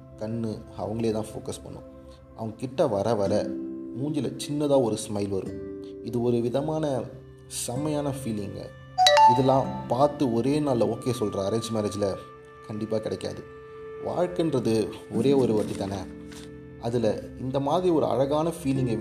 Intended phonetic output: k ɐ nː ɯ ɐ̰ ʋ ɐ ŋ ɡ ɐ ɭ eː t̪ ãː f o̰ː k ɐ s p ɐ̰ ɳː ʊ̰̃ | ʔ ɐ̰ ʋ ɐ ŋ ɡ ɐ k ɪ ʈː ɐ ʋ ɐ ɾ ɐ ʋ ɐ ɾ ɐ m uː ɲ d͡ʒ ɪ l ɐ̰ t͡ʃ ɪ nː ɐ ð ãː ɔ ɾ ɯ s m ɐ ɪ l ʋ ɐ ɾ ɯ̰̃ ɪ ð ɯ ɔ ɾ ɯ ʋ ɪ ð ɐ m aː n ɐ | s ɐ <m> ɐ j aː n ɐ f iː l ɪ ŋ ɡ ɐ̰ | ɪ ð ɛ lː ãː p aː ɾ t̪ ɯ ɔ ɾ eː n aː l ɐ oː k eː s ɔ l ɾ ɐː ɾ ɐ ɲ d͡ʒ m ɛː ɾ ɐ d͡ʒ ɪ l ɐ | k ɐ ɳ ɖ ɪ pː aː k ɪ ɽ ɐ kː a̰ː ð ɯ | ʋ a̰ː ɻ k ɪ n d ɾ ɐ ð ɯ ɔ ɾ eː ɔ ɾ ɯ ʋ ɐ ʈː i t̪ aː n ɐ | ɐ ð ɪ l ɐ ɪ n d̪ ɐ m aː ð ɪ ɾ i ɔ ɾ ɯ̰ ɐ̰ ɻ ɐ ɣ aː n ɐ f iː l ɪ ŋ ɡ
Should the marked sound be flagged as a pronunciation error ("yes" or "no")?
no